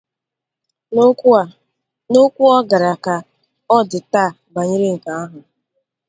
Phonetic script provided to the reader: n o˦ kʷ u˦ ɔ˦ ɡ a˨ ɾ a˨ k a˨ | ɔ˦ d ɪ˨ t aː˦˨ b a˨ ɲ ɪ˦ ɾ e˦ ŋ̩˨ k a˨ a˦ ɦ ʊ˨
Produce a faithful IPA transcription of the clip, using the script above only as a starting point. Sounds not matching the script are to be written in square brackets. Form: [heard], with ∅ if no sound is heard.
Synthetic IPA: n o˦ kʷ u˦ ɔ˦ ɡ a˨ ɾ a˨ k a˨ | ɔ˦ d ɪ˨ t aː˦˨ b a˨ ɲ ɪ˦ ɾ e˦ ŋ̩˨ k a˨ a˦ ɦ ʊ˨